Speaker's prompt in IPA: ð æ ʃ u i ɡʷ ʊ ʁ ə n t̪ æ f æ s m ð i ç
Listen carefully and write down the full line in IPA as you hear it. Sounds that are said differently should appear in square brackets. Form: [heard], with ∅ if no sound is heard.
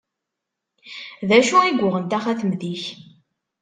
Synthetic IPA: ð æ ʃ u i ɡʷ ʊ ʁ ə n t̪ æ [χ] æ [θ] m ð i ç